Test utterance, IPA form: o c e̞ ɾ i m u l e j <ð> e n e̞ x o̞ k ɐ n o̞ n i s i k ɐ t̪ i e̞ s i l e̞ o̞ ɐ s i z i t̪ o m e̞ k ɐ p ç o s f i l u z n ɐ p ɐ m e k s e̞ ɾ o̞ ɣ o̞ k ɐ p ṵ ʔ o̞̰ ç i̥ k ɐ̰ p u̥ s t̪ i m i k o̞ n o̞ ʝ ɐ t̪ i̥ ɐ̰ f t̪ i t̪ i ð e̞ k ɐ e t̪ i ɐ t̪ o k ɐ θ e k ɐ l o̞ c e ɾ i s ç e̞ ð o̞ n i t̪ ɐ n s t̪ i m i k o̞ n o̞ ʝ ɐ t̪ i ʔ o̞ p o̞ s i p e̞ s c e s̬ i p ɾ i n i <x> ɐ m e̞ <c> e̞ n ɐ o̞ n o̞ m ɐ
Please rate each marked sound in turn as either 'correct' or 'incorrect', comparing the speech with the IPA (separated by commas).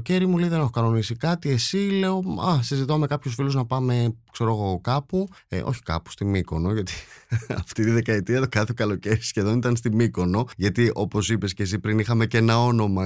correct, correct, correct